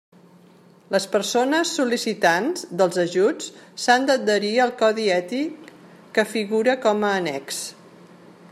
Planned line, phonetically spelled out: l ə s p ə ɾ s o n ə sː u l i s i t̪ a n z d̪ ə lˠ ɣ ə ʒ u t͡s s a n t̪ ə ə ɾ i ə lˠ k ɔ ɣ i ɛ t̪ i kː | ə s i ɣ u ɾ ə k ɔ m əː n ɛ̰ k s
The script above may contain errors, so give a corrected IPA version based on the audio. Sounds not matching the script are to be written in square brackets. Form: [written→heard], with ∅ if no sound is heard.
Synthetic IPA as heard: l ə s p ə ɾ s o n ə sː u l i s i t̪ a n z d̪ ə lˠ [ɣ→z] ə ʒ u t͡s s a n [t̪→d̪] ə ə ɾ i ə lˠ k ɔ [ɣ→ð] i ɛ t̪ i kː | ə [s→f] i ɣ u ɾ ə k ɔ m əː n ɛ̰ k s

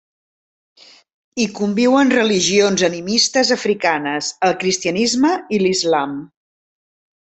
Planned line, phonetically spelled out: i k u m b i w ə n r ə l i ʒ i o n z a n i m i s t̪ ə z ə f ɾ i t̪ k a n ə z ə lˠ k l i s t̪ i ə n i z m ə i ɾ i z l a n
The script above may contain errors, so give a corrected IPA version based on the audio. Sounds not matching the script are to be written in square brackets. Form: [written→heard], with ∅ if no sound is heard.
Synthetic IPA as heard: i k u m b i w ə n r ə l i ʒ i o n z [a→ə] n i m i s t̪ ə z ə f ɾ i [t̪→∅] k a n ə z ə lˠ k [l→ɾ] i s t̪ i ə n i z m ə i [ɾ→l] i z l a [n→m]

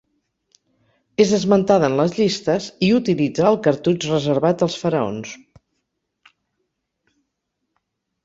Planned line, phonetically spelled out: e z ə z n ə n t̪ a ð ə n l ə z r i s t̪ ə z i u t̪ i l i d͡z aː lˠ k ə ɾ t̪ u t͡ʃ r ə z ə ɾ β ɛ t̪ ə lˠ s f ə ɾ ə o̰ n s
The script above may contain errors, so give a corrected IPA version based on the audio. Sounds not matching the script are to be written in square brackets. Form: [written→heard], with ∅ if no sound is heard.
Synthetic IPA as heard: e z ə z [n→m] ə n t̪ a ð ə n l ə z [r→ʎ] i s t̪ ə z i u t̪ i l i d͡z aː lˠ k ə ɾ t̪ u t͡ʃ r ə z ə ɾ β [ɛ→a] t̪ ə lˠ s f ə ɾ ə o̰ n s

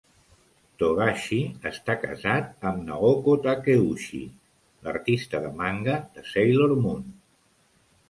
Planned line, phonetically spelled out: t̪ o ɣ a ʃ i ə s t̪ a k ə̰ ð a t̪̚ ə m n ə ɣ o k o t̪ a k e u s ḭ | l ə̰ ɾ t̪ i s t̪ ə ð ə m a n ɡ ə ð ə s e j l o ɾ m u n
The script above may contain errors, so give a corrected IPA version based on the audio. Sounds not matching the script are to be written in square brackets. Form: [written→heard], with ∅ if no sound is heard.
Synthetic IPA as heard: t̪ o ɣ a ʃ i ə s t̪ a k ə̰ [ð→z] a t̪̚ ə m n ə ɣ o k o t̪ a k e u [s→ʃ] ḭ | l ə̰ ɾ t̪ i s t̪ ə ð ə m a [n→ŋ] ɡ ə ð ə s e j l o ɾ m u n

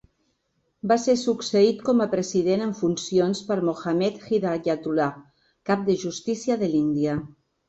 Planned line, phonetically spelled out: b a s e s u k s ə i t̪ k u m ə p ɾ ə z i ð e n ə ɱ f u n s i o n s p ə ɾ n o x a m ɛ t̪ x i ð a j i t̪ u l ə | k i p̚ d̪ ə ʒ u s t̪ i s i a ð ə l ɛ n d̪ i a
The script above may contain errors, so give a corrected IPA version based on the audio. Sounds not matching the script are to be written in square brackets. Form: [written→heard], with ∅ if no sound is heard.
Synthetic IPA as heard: b a s e s u k s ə i t̪ k [u→ɔ] m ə p ɾ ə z i ð e n ə ɱ f u n s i o n s p ə ɾ [n→m] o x a m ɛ t̪ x i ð a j [i→a] t̪ u l [ə→a] | k [i→a] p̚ d̪ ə ʒ u s t̪ i s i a ð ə l [ɛ→i] n d̪ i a

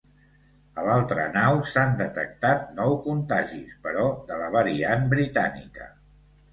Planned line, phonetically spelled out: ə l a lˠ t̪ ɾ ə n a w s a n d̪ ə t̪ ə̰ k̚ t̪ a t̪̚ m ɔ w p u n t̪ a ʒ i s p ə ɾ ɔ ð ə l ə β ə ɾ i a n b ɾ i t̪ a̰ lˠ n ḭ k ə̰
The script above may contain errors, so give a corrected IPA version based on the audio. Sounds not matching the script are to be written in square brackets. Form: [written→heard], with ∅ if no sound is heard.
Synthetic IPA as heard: ə l a lˠ t̪ ɾ ə n a w s a n d̪ ə t̪ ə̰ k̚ t̪ a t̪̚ [m→n] ɔ w [p→k] u n t̪ a ʒ i s p ə ɾ ɔ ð ə l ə β ə ɾ i a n b ɾ i t̪ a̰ [lˠ→∅] n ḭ k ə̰

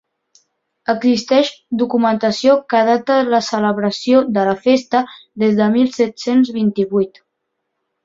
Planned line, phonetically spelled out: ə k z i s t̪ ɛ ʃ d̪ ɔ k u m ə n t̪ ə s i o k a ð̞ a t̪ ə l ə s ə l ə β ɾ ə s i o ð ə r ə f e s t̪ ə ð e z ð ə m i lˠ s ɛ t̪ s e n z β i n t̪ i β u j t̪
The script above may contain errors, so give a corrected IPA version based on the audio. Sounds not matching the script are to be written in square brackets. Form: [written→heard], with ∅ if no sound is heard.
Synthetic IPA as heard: ə [k→ɡ] z i s t̪ ɛ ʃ d̪ [ɔ→u] k u m ə n t̪ ə s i o k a ð̞ a t̪ ə l ə s ə l ə β ɾ ə s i o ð ə [r→l] ə f e s t̪ ə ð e z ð ə m i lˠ s ɛ t̪ s e n z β i n t̪ i β u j t̪

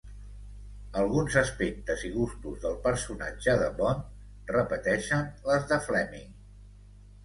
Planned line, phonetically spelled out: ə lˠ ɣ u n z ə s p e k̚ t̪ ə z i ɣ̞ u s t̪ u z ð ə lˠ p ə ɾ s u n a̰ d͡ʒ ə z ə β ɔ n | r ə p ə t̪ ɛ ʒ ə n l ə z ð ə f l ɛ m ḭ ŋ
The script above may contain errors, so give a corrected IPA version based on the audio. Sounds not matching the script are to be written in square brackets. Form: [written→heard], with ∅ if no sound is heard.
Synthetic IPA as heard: ə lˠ ɣ u n z ə s p e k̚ t̪ ə z i ɣ̞ u s t̪ u z ð ə lˠ p ə ɾ s u n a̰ d͡ʒ ə [z→ð] ə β ɔ n | r ə p ə t̪ ɛ [ʒ→ʃ] ə n l ə z ð ə f l ɛ m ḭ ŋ

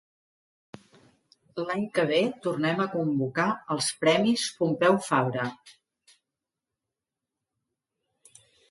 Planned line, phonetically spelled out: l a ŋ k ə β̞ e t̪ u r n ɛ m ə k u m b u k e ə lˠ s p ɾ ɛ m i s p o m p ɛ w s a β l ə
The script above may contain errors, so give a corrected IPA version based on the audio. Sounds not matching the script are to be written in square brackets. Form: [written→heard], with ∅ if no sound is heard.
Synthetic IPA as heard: l a [ŋ→ɲ] k ə β̞ e t̪ u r n ɛ m ə k u m b u k [e→a] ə lˠ s p ɾ ɛ m i s p [o→u] m p ɛ w [s→f] a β [l→ɾ] ə

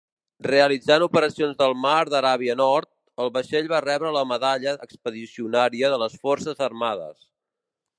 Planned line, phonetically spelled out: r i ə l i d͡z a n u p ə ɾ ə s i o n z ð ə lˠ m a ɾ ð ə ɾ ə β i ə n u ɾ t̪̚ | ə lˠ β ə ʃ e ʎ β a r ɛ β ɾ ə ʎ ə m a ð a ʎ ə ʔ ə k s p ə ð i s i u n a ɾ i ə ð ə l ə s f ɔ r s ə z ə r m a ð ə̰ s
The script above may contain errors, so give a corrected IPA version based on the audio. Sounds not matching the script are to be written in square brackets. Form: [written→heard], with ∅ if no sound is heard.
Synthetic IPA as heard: r [i→e] ə l i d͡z a n u p ə ɾ ə s i o n z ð ə lˠ m a ɾ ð ə ɾ [ə→a] β i ə n [u→ɔ] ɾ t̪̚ | ə lˠ β ə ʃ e ʎ β a r ɛ β ɾ ə [ʎ→l] ə m [a→ə] ð a ʎ ə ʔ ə k s p ə ð i s i u n a ɾ i ə ð ə l ə s f ɔ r s ə z ə r m a ð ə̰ s

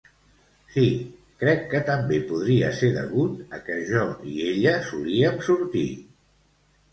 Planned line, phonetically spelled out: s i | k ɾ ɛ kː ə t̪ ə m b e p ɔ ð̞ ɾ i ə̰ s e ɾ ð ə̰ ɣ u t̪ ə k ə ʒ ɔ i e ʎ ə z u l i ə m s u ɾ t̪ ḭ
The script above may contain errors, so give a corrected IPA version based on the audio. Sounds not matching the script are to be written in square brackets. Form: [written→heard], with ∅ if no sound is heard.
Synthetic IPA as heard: s i | k ɾ ɛ kː ə t̪ ə m b e p [ɔ→u] ð̞ ɾ i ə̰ s e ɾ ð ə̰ ɣ u t̪ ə k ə ʒ ɔ i e ʎ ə [z→s] u l i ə m s u ɾ t̪ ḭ

